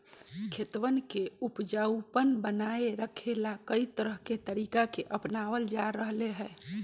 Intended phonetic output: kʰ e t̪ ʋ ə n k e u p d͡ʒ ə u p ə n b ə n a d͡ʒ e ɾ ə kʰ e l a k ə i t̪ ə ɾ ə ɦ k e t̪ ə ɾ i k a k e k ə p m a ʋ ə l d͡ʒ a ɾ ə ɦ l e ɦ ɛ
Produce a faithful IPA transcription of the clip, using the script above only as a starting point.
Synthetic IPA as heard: kʰ e t̪ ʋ ə n k e u p d͡ʒ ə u p ə n b ə n a e ɾ ə kʰ e l a k ə i t̪ ə ɾ ə ɦ k e t̪ ə ɾ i k a k e ʔ ə p n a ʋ ə l d͡ʒ a ɾ ə ɦ l e ɦ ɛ